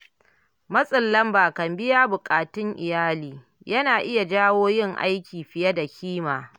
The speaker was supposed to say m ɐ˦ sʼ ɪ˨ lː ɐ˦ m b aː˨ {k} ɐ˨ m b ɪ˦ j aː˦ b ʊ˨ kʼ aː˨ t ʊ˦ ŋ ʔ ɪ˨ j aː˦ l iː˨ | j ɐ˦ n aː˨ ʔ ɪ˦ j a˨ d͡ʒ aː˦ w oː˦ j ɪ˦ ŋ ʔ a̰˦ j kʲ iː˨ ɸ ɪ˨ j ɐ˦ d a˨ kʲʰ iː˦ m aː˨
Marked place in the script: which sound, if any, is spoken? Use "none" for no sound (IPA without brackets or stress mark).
k